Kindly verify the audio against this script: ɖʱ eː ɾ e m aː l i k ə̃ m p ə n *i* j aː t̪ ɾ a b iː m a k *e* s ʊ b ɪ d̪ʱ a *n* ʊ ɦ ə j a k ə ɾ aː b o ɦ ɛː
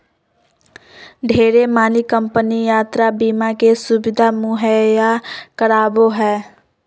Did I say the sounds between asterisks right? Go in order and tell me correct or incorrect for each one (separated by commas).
correct, correct, incorrect